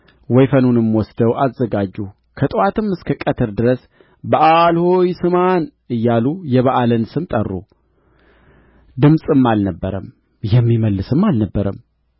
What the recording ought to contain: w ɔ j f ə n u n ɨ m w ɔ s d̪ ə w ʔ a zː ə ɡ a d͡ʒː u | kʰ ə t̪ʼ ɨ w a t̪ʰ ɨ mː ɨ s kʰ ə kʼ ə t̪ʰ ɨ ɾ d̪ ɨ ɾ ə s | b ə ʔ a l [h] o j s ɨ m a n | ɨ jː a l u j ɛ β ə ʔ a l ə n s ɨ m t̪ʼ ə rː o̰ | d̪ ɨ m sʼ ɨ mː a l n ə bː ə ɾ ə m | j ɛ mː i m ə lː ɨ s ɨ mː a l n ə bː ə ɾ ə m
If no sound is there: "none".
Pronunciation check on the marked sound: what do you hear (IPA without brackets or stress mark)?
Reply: h